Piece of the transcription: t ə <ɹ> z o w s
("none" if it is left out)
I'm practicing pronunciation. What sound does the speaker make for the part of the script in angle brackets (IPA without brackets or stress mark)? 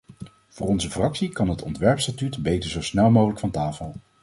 ɹ